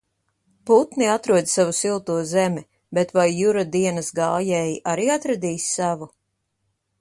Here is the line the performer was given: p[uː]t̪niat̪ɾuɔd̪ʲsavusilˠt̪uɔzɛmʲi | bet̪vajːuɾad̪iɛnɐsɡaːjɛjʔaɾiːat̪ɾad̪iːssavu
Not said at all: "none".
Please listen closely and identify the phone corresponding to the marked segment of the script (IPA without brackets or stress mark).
u